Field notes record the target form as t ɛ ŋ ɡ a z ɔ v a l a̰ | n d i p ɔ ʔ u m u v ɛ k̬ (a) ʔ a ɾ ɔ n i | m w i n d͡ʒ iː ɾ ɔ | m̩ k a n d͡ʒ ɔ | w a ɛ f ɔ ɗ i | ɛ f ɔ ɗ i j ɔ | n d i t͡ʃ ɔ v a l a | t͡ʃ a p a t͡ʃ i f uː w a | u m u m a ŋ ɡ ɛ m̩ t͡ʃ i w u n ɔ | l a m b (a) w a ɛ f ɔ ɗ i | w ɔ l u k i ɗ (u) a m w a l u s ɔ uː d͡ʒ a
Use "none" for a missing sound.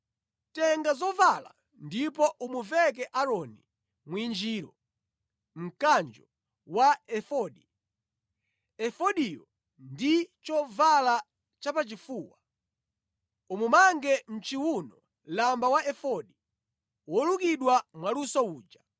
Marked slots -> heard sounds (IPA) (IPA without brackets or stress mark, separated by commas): ɛ, a, w